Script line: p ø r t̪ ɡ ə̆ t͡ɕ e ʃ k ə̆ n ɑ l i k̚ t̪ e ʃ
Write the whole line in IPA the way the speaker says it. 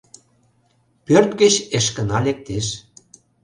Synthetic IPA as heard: p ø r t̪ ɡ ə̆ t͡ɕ e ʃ k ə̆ n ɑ l e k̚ t̪ e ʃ